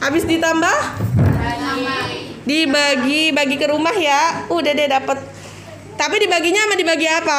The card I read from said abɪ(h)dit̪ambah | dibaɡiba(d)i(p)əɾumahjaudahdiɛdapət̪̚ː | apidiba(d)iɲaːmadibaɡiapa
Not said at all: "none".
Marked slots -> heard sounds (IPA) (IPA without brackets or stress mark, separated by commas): s, ɡ, k, ɡ